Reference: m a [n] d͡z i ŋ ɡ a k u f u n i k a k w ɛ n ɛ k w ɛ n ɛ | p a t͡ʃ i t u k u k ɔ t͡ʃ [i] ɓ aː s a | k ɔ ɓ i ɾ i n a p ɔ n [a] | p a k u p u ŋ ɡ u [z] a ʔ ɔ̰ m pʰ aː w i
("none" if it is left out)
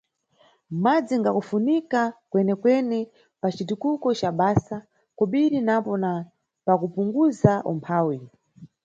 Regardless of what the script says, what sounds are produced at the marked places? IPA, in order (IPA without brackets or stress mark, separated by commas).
none, a, a, z